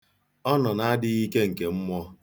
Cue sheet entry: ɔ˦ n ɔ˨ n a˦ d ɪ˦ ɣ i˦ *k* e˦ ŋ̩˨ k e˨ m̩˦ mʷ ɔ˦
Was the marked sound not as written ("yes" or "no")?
no